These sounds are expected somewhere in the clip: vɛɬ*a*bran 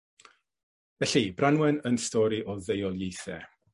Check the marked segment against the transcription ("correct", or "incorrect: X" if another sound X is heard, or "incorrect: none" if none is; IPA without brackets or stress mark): incorrect: i